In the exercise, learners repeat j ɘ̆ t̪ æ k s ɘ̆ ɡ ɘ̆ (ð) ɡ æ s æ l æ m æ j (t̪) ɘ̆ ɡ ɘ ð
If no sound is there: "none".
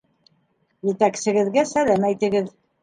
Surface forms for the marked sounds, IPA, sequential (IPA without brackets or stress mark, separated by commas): ð, t̪